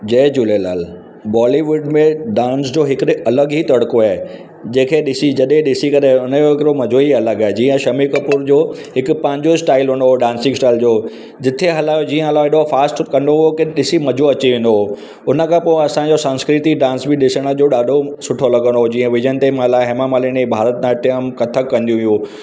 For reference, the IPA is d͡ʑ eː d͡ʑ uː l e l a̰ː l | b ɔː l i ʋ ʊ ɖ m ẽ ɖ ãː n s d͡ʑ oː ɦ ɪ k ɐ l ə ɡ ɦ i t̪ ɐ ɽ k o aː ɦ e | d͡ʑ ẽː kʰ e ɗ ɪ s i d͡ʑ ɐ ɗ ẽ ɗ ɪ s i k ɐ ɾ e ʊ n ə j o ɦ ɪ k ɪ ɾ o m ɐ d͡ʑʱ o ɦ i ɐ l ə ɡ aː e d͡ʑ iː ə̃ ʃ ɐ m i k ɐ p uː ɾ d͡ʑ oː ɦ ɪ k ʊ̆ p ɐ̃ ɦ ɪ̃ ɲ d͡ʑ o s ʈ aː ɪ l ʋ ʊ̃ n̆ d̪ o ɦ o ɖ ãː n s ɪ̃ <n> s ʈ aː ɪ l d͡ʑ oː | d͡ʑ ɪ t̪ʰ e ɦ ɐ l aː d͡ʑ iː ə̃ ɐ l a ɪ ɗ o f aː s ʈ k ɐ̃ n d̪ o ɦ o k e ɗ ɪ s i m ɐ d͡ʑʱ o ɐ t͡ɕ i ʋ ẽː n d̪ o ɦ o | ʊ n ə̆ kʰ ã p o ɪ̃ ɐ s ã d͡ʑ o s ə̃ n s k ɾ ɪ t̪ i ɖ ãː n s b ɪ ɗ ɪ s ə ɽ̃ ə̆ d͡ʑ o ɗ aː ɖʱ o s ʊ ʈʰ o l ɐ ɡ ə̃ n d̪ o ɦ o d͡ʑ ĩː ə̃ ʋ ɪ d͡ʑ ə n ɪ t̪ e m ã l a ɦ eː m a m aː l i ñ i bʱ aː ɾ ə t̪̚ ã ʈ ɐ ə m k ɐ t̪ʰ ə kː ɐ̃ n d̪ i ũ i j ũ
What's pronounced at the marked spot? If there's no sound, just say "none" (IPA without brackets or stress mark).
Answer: ŋ